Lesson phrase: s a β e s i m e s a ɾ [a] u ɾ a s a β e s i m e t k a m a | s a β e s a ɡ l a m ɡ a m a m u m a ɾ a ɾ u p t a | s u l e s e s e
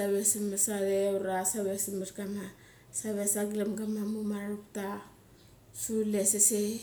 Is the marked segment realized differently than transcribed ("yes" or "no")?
yes